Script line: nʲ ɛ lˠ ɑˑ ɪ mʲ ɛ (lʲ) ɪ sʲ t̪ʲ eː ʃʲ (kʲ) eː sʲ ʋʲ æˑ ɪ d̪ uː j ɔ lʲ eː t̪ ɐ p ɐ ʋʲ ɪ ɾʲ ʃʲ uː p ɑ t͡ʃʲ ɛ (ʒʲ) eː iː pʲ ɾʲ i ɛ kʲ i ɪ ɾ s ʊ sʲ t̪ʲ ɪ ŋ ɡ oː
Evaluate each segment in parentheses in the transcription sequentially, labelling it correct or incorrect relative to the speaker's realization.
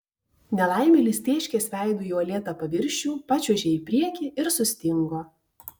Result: correct, correct, correct

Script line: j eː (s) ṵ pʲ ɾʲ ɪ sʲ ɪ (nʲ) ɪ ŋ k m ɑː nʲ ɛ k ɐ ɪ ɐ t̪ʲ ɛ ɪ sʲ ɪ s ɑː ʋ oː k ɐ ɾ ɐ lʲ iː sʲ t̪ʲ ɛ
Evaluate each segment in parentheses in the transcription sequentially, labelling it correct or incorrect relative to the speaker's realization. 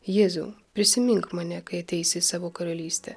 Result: incorrect, incorrect

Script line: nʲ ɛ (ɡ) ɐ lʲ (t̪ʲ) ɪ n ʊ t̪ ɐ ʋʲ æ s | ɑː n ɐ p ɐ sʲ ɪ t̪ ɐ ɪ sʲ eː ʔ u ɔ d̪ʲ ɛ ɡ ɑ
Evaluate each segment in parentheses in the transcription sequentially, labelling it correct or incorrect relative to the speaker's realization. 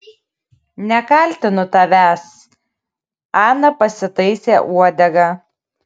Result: incorrect, correct

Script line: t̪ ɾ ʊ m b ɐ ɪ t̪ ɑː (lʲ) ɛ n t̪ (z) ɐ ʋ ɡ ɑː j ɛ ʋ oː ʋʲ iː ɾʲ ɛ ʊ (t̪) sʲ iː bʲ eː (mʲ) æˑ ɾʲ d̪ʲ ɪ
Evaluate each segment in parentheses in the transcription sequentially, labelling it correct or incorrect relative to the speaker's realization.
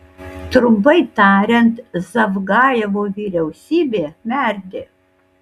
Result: incorrect, correct, incorrect, correct

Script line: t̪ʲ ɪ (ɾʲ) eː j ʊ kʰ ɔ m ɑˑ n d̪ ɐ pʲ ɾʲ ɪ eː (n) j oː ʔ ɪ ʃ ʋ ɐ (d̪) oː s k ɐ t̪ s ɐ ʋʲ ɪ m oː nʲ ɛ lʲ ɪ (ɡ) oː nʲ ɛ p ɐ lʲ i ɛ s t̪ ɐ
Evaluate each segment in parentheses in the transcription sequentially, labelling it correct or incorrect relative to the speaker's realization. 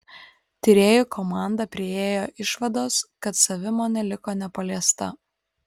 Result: correct, incorrect, correct, incorrect

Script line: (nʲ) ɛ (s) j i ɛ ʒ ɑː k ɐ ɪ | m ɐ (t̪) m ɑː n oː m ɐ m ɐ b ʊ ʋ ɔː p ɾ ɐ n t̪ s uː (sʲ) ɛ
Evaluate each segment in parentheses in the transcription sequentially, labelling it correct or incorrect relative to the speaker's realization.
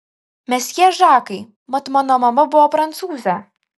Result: incorrect, correct, correct, incorrect

